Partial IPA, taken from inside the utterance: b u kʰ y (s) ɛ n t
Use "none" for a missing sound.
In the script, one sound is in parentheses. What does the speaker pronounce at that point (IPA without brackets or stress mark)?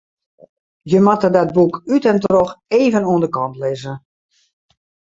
t